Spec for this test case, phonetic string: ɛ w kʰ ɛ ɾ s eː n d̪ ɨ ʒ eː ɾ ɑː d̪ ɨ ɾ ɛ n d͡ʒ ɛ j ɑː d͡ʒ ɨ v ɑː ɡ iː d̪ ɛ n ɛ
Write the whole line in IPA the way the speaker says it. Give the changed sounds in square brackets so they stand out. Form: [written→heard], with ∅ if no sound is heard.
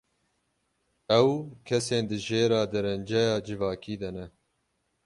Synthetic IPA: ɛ w kʰ ɛ [ɾ→∅] s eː n d̪ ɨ ʒ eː ɾ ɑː d̪ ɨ ɾ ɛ n d͡ʒ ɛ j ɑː d͡ʒ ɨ v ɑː [ɡ→k] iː d̪ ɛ n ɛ